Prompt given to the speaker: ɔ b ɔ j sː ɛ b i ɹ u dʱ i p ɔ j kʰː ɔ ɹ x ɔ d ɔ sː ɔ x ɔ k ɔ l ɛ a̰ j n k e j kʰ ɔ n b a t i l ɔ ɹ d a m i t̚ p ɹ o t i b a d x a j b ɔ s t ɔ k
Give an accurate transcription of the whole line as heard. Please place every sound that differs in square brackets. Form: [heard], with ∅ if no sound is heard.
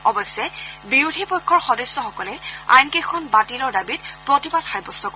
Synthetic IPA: ɔ b ɔ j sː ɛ b i ɹ u dʱ i p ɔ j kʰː ɔ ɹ x ɔ d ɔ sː ɔ x ɔ k ɔ l ɛ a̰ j n k e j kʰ ɔ n b a t i l ɔ ɹ d a [b] i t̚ p ɹ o t i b a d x a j b ɔ s t ɔ k